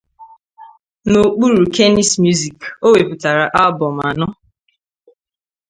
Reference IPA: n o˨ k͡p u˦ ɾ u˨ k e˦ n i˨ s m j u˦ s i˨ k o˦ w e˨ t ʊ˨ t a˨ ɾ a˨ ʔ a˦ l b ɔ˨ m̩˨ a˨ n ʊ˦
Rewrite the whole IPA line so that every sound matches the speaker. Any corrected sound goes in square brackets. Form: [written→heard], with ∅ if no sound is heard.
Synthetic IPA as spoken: n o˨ k͡p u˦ ɾ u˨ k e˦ n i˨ s m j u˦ [s→z] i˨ k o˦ w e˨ [t→p] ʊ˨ t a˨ ɾ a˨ ʔ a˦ l b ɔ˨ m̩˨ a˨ n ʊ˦